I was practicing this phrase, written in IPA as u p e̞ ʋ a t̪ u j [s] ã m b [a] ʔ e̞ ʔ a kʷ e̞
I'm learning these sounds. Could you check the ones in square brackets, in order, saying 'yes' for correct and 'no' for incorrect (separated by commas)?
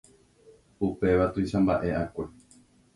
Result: no, yes